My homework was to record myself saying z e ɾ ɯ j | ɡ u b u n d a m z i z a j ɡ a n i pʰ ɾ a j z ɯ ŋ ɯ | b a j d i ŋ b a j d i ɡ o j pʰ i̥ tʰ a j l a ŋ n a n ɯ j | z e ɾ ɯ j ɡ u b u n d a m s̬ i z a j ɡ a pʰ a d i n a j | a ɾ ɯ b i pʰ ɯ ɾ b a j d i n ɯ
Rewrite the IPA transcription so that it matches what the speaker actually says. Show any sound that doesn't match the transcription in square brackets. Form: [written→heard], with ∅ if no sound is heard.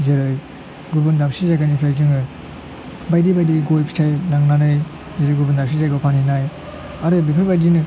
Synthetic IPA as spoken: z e ɾ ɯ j | ɡ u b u n d a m [z→s] i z a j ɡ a n i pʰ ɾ a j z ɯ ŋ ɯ | b a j d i [ŋ→∅] b a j d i ɡ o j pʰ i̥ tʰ a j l a ŋ n a n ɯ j | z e ɾ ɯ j ɡ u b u n d a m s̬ i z a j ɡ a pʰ a [d→n] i n a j | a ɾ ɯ b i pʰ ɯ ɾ b a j d i n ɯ

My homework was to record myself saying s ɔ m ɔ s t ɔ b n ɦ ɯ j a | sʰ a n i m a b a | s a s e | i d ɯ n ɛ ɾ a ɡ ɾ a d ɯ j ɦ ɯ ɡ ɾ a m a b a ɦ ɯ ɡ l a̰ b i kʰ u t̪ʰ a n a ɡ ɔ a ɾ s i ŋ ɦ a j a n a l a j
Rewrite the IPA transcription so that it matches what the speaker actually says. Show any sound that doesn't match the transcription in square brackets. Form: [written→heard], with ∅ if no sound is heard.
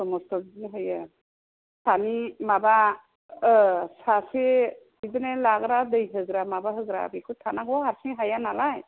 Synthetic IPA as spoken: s ɔ m ɔ s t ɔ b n ɦ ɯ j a | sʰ a n i m a b a | s a s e | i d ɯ n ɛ [ɾ→l] a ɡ ɾ a d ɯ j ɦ ɯ ɡ ɾ a m a b a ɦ ɯ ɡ [l→ɾ] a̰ b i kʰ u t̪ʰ a n a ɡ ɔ a ɾ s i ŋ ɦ a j a n a l a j

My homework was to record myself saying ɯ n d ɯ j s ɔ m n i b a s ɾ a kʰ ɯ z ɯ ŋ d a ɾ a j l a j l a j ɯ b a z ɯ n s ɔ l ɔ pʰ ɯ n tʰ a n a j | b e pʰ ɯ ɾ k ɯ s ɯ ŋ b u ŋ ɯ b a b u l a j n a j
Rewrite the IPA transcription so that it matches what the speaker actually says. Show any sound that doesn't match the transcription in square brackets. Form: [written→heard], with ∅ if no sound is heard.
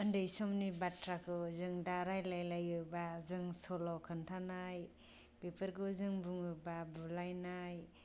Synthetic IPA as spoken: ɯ n d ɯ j s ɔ m n i b a [s→t] ɾ a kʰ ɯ z ɯ ŋ d a ɾ a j l a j l a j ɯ b a z ɯ [n→ŋ] s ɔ l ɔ [pʰ→kʰ] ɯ n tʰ a n a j | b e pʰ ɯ ɾ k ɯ [s→z] ɯ ŋ b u ŋ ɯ b a b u l a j n a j

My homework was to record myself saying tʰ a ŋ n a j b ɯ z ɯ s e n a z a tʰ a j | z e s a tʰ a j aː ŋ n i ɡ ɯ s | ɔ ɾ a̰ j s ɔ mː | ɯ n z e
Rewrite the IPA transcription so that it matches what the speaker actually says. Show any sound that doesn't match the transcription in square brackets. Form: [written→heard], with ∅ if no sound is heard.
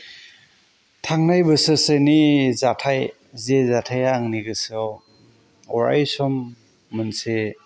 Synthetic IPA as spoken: tʰ a ŋ n a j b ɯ [z→s] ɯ s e n [a→i] z a tʰ a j | z e [s→z] a tʰ a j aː ŋ n i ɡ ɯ s | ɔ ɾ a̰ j s ɔ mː | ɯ n [z→s] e

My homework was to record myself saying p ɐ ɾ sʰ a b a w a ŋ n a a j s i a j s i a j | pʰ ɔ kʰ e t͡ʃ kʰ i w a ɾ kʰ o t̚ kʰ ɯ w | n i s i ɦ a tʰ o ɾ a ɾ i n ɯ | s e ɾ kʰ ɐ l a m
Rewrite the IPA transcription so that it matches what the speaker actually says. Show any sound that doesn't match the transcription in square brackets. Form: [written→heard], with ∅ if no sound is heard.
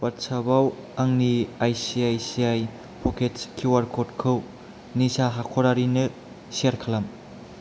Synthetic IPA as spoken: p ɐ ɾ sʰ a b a w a ŋ n [a→i] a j s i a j s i a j | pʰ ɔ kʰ e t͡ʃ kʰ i w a ɾ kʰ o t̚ kʰ ɯ w | n i s [i→a] ɦ a [tʰ→kʰ] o ɾ a ɾ i n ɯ | s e ɾ kʰ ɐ l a m

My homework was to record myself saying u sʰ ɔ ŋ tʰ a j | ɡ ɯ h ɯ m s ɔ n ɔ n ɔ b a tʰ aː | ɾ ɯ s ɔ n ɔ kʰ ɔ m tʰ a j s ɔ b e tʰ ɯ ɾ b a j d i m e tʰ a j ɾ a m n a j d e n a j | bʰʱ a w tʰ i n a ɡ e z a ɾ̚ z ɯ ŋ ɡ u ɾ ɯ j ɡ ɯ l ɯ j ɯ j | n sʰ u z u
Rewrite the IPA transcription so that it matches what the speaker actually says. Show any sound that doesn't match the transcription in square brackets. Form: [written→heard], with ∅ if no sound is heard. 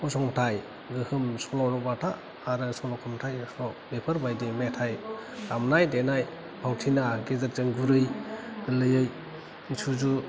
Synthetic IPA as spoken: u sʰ ɔ ŋ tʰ a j | ɡ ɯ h ɯ m s ɔ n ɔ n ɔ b a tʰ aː | ɾ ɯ s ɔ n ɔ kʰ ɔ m tʰ a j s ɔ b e [tʰ→pʰ] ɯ ɾ b a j d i m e tʰ a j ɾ a m n a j d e n a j | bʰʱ a w tʰ i n a ɡ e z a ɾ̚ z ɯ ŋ ɡ u ɾ ɯ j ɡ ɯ l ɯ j ɯ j | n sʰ u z u

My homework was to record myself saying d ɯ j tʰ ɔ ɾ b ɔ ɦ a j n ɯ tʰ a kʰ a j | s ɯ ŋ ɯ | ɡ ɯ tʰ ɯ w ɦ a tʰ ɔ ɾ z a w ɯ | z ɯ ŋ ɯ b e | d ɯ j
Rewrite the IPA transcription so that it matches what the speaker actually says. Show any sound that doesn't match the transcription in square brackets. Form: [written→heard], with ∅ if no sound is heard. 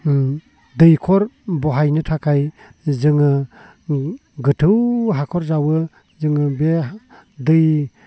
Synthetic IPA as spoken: d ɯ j [tʰ→kʰ] ɔ ɾ b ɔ ɦ a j n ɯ tʰ a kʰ a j | [s→z] ɯ ŋ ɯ | ɡ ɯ tʰ ɯ w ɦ a [tʰ→kʰ] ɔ ɾ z a w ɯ | z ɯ ŋ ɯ b e | d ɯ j

